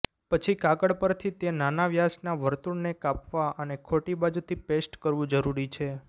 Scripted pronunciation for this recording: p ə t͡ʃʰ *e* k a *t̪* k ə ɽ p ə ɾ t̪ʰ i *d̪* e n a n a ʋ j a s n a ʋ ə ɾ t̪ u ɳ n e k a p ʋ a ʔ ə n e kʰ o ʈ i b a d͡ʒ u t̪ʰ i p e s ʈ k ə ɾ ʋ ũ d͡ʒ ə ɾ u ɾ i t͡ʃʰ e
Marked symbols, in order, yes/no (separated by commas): no, no, no